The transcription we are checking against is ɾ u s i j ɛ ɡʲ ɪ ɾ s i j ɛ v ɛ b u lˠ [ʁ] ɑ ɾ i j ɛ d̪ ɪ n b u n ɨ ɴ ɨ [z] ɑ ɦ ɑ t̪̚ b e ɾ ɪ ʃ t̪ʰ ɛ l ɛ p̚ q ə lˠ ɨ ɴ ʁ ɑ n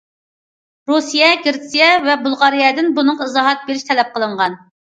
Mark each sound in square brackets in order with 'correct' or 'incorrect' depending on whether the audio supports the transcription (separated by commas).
correct, correct